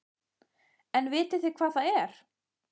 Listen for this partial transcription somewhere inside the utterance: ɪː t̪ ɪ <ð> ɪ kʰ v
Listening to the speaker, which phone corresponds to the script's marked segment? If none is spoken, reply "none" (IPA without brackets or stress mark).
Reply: θ